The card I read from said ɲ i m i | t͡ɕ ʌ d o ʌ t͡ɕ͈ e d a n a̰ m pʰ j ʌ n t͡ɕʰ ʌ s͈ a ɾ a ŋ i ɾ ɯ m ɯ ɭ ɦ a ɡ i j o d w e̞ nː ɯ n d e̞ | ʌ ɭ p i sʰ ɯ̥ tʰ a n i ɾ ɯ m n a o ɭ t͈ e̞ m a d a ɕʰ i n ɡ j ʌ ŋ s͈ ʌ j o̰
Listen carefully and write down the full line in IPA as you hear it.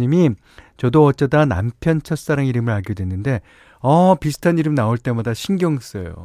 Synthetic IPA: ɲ i m i | t͡ɕ ʌ d o ʌ t͡ɕ͈ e d a n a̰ m pʰ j ʌ n t͡ɕʰ ʌ s͈ a ɾ a ŋ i ɾ ɯ m ɯ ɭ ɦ a ɡ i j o d w e̞ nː ɯ n d e̞ | ʌ p i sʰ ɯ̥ tʰ a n i ɾ ɯ m n a o ɭ t͈ e̞ m a d a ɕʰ i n ɡ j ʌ ŋ s͈ ʌ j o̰